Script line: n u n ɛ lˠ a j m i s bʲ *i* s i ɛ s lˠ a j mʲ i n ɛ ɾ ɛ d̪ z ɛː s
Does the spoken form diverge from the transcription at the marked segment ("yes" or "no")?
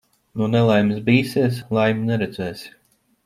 yes